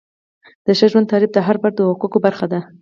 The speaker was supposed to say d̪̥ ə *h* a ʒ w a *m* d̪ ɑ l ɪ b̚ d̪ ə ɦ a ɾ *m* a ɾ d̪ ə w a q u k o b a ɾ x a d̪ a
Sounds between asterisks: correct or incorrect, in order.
incorrect, incorrect, incorrect

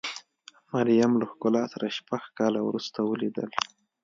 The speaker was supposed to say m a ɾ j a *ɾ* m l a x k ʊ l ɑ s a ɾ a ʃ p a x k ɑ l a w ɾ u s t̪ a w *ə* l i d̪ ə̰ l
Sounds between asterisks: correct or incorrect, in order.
incorrect, correct

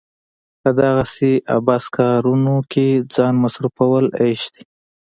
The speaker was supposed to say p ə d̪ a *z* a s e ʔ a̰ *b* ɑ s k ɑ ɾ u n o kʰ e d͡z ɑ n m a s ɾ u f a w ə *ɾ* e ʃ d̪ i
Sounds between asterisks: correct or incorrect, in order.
incorrect, correct, incorrect

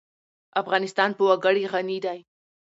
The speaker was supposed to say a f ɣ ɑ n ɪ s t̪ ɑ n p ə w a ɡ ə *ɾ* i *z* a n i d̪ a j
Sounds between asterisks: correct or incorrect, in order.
incorrect, incorrect

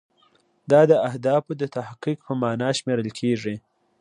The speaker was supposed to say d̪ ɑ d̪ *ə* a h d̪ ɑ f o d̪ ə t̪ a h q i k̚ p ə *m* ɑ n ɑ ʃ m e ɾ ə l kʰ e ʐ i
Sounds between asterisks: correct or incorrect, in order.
correct, correct

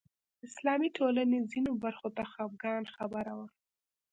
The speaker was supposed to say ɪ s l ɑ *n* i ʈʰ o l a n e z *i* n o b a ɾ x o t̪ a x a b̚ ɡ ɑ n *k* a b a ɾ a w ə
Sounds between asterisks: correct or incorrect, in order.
incorrect, correct, incorrect

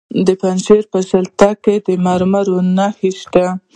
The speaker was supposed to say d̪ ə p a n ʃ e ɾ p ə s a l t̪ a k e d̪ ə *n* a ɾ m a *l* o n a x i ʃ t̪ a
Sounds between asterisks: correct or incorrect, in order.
incorrect, incorrect

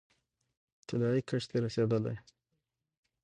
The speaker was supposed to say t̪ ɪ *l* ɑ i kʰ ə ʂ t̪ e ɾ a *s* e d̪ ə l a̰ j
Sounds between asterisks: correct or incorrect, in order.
correct, correct

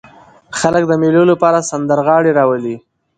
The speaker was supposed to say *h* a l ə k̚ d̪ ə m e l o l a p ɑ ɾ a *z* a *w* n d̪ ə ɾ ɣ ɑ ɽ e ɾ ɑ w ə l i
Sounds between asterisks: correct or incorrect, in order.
incorrect, incorrect, incorrect

